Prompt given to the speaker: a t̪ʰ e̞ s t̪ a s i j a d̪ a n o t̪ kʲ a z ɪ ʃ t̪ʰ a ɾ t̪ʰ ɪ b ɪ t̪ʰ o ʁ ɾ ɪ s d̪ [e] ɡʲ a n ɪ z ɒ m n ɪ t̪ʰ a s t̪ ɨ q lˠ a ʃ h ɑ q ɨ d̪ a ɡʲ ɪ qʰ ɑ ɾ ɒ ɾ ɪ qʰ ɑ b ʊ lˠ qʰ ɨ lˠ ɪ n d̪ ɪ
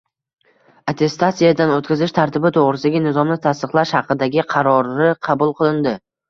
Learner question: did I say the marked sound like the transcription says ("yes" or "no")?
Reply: no